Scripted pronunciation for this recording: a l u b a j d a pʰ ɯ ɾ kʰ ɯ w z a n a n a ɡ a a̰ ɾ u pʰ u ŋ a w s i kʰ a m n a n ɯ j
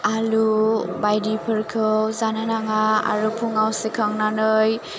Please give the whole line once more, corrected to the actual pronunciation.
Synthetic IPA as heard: a l u b a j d i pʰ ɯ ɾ kʰ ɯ w z a n a n a ŋ a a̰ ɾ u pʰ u ŋ a w s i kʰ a ŋ n a n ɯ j